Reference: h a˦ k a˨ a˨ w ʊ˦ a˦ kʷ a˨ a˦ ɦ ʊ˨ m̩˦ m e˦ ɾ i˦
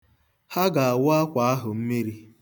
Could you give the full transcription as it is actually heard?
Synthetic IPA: h a˦ ɡ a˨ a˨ w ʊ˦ a˦ kʷ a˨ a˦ ɦ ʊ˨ m̩˦ m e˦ ɾ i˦